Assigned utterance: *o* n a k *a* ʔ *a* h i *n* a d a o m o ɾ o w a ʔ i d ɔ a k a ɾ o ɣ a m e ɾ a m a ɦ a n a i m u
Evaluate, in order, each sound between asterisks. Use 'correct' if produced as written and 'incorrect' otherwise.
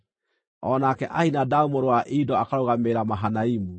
incorrect: ɔ, incorrect: ɛ, correct, correct

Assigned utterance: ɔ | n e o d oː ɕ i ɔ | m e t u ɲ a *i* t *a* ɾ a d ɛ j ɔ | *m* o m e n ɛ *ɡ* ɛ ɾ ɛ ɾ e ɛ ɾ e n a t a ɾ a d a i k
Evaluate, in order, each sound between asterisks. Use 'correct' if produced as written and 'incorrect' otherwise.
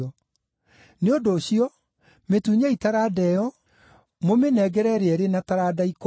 correct, correct, correct, correct

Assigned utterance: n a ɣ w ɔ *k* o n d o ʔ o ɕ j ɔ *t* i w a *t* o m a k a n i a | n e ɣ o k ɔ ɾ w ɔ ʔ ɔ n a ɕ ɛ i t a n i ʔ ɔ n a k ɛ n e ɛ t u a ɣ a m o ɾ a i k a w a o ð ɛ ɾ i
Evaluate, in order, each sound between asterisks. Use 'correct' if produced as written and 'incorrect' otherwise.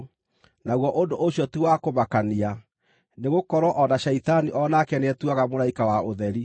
incorrect: ʔ, correct, incorrect: k

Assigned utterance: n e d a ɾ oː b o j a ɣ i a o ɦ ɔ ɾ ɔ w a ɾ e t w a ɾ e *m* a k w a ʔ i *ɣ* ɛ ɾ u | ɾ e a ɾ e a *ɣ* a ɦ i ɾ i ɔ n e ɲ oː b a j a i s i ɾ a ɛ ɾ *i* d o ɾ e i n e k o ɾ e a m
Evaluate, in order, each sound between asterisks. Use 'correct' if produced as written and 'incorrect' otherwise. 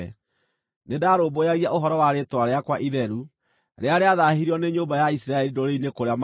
incorrect: none, incorrect: ð, incorrect: ð, correct

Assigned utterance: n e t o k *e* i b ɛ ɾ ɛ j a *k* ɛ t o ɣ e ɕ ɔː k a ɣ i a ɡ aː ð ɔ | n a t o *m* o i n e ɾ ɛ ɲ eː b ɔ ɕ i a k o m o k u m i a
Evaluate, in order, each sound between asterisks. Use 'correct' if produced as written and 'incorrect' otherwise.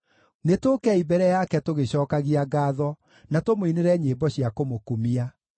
incorrect: ɛ, correct, correct

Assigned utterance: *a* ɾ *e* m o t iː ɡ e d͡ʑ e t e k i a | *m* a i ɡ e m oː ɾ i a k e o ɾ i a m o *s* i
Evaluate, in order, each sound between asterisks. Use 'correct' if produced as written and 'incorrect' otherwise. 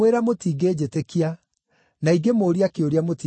incorrect: e, incorrect: a, incorrect: n, incorrect: t

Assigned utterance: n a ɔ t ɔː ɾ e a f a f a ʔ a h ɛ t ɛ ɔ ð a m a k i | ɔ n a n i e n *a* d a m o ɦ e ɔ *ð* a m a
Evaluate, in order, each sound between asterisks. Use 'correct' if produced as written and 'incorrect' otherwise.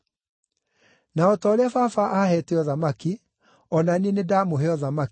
incorrect: e, correct

